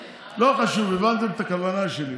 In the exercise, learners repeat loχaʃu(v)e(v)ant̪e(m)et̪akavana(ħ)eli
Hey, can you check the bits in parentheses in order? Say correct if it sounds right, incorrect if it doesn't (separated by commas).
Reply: correct, correct, correct, incorrect